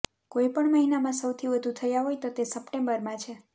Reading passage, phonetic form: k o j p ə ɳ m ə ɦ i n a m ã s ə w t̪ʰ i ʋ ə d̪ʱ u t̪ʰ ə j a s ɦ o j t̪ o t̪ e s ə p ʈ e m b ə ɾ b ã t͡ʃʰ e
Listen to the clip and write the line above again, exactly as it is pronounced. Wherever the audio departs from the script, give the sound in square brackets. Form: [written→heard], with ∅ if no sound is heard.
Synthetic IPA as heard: k o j p ə ɳ m ə ɦ i n a m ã s ə w t̪ʰ i ʋ ə d̪ʱ u t̪ʰ ə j a [s→∅] ɦ o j t̪ o t̪ e s ə p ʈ e m b ə ɾ [b→m] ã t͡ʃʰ e

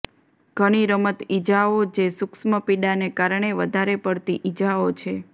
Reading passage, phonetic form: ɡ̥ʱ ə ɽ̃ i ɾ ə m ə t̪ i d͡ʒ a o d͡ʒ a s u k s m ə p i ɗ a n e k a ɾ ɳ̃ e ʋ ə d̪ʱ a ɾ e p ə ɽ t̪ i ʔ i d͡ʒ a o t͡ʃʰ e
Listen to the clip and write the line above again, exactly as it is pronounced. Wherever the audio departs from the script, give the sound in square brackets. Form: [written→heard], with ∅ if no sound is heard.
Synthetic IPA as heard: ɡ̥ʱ ə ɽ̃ i ɾ ə m ə t̪ i d͡ʒ a o d͡ʒ [a→e] s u k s m ə p i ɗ a n e k a ɾ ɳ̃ e ʋ ə d̪ʱ a ɾ e p ə ɽ t̪ i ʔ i d͡ʒ a o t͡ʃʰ e

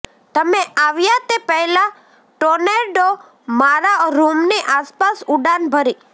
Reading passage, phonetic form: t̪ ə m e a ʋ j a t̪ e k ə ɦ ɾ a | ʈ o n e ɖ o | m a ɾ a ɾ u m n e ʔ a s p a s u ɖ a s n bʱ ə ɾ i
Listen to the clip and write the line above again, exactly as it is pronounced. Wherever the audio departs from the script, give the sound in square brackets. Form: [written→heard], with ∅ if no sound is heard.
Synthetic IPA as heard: t̪ ə m e a ʋ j a t̪ e [k→p] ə ɦ [ɾ→l] a | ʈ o n e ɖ o | m a ɾ a ɾ u m n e ʔ a s p a s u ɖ a [s→∅] n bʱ ə ɾ i

